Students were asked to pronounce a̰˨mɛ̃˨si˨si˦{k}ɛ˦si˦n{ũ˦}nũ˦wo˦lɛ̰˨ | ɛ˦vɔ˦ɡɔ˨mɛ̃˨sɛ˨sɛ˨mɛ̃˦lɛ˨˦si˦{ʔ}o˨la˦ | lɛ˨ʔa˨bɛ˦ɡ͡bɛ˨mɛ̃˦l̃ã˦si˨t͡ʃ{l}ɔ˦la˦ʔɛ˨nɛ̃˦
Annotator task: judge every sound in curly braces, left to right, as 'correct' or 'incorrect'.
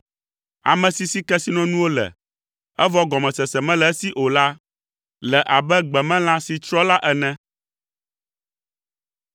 correct, incorrect: ɔ̃˦, correct, incorrect: ɾ

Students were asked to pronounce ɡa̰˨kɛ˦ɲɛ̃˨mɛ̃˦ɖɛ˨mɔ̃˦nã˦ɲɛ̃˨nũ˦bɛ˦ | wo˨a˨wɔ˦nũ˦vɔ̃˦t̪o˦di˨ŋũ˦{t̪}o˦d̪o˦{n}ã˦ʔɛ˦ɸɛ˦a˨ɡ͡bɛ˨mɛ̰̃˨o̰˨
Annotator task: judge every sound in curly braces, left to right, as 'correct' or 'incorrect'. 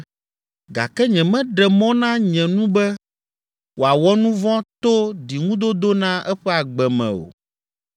incorrect: d̪, correct

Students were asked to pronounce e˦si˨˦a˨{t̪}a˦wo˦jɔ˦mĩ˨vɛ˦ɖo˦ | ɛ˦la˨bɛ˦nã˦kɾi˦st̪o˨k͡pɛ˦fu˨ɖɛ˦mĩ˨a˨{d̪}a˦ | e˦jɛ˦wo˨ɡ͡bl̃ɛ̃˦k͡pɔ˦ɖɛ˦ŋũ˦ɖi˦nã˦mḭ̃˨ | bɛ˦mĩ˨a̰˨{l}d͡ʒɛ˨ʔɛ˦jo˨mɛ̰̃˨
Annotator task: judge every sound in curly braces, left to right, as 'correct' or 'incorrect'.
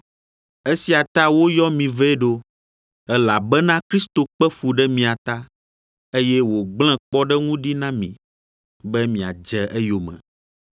correct, incorrect: t̪, incorrect: none

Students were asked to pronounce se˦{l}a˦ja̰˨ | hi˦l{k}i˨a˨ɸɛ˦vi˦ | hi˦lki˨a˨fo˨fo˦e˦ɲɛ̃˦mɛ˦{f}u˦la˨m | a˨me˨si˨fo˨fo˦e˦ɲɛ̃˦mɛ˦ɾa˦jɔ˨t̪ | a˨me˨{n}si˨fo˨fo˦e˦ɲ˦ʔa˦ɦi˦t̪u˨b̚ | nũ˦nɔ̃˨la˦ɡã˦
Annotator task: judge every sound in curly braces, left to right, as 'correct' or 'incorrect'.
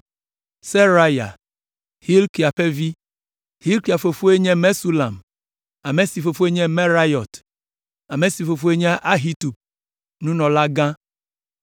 incorrect: ɾ, correct, incorrect: s, incorrect: none

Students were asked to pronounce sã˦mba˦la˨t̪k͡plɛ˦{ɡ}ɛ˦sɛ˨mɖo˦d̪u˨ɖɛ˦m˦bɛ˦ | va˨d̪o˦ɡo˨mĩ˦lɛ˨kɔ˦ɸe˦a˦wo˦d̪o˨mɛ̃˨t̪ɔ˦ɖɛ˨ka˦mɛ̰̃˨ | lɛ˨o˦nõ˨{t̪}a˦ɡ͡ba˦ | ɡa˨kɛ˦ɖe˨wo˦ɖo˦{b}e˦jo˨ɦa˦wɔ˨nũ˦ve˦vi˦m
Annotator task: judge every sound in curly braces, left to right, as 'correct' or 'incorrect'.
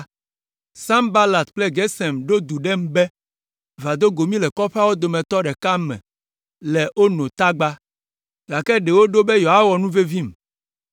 correct, correct, correct

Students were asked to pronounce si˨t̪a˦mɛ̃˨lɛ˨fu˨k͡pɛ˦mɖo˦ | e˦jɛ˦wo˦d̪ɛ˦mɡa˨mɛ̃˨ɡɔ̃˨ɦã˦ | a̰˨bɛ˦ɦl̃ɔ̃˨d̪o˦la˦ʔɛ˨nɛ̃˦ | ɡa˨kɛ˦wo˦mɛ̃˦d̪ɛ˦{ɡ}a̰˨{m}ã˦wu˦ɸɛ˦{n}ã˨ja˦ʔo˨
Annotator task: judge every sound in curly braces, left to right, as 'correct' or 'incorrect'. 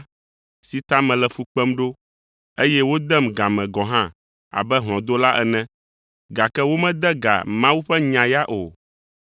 correct, correct, incorrect: ɲ

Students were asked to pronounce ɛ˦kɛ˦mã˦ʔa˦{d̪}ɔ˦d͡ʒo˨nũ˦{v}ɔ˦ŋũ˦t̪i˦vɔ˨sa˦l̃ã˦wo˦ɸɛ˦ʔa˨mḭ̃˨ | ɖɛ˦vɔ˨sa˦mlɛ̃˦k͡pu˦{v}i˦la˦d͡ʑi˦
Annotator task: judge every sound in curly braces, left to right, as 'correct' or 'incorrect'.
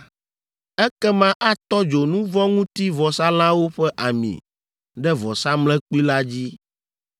incorrect: t̪, correct, incorrect: none

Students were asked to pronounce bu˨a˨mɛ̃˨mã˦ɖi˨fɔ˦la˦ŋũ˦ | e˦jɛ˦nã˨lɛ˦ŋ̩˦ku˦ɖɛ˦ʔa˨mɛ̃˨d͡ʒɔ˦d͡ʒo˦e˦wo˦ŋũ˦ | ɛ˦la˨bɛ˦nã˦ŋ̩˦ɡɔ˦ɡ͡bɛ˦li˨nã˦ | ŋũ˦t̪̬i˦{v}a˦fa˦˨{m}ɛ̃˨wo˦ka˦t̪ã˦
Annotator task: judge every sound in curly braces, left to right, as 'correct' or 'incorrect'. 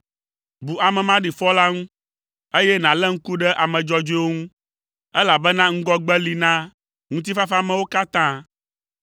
incorrect: f, correct

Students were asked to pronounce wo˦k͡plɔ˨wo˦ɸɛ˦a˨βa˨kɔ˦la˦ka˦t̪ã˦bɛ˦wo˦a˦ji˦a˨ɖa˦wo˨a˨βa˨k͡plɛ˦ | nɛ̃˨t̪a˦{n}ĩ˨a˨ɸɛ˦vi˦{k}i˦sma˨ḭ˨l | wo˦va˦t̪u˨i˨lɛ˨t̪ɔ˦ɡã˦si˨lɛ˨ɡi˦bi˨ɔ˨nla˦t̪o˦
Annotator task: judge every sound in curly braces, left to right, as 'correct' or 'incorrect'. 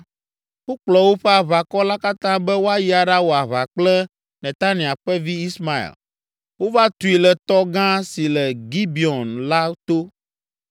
correct, incorrect: none

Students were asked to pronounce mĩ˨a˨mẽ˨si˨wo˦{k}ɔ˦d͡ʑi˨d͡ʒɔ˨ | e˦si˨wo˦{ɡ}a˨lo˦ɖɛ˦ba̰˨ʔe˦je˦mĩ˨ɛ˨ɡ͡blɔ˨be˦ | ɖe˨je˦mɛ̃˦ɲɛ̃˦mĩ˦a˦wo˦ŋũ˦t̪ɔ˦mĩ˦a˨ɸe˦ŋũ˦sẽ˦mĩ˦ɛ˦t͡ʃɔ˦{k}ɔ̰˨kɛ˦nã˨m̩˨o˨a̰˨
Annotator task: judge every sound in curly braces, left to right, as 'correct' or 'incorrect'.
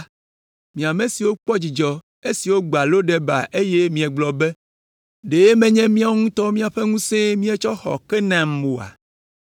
incorrect: k͡p, incorrect: ɡ͡b, incorrect: x

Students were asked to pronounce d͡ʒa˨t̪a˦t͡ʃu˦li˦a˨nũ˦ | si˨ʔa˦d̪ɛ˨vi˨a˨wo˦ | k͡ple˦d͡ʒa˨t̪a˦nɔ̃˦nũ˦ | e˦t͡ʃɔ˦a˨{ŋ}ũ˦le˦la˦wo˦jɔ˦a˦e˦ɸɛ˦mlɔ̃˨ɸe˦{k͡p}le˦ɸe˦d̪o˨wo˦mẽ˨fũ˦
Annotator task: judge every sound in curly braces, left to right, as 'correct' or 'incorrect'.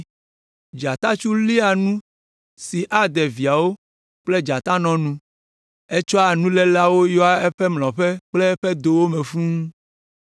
incorrect: n, correct

